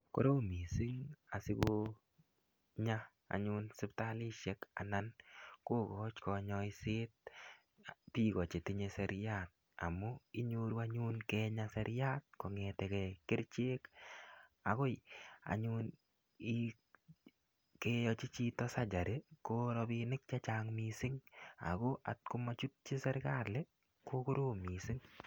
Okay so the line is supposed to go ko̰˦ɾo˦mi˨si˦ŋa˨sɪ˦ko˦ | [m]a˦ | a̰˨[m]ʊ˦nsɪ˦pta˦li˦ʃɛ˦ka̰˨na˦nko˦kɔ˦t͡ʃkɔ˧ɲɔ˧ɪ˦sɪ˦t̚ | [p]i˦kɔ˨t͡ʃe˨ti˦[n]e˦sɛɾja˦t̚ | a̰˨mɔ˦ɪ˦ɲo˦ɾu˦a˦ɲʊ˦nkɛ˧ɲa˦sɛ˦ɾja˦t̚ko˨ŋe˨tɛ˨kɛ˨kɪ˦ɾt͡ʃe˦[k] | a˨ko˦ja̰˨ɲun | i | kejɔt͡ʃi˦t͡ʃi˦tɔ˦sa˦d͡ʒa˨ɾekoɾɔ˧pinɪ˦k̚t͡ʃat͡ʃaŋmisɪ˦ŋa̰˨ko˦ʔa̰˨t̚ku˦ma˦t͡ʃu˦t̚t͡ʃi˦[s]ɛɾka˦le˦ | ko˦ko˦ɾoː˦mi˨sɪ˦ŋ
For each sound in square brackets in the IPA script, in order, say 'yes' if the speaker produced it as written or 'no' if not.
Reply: no, no, yes, no, yes, yes

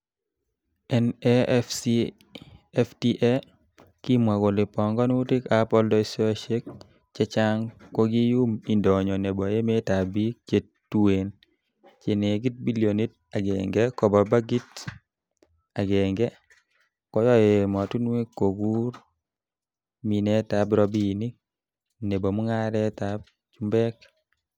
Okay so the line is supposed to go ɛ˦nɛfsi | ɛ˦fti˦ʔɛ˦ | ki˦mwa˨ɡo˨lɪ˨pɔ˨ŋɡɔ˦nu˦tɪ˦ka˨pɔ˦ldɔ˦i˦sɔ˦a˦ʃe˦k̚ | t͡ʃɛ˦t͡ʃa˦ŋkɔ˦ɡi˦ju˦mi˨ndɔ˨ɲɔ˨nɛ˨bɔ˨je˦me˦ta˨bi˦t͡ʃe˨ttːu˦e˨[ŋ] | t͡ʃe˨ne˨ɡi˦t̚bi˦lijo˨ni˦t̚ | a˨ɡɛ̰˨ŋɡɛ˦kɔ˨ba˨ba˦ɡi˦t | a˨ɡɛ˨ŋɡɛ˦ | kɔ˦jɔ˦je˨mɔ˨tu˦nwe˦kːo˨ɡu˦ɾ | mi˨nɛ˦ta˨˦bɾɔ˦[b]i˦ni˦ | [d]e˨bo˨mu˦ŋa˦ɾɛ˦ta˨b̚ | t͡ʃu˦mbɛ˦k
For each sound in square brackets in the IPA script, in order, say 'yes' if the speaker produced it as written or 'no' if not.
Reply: no, yes, no

